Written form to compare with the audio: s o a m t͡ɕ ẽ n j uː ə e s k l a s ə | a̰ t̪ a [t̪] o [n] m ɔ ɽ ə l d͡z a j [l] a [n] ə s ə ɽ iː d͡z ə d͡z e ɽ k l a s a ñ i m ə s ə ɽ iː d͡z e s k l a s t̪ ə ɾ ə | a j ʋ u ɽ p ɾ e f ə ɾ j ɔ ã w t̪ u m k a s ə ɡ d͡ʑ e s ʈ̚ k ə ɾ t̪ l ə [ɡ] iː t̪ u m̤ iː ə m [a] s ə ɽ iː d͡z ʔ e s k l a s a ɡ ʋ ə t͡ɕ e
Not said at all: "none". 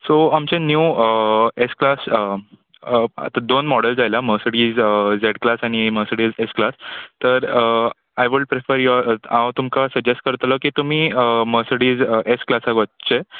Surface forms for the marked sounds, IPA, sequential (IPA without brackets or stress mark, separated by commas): d̪, n, l, m, k, ə